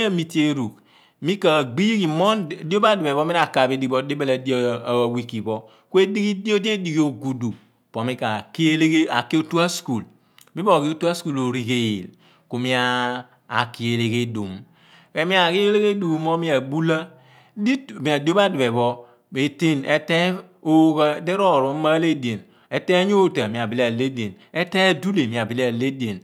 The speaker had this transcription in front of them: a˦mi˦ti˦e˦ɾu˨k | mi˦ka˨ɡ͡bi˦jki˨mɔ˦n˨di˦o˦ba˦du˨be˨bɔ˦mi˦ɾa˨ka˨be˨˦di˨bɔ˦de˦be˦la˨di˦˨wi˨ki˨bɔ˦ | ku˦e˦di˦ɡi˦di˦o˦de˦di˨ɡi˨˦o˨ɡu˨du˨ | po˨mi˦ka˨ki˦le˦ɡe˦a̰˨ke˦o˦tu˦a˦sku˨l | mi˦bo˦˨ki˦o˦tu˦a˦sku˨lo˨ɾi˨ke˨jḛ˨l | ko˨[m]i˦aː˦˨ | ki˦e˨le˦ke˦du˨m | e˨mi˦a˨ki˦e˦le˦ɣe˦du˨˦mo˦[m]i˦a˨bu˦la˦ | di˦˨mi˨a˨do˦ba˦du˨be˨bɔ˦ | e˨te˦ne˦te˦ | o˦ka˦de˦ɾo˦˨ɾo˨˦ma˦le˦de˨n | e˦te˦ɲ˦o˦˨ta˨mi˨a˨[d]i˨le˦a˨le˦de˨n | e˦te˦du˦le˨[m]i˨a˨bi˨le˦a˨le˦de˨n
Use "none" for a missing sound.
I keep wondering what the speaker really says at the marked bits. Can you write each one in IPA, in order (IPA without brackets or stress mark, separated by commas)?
m, m, b, m